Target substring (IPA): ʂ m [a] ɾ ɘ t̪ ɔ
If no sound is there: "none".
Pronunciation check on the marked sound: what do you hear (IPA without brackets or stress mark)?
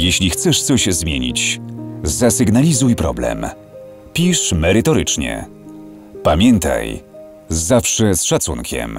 ɛ